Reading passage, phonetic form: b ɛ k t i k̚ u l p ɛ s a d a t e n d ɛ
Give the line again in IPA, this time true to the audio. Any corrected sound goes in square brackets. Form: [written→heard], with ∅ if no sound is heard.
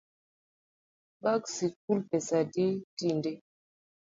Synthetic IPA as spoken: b [ɛ→a] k [t→s] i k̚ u l p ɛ s a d [a→i] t [e→i] n d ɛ